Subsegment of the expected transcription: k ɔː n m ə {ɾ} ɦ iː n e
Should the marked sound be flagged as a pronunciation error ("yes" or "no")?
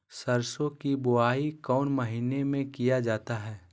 yes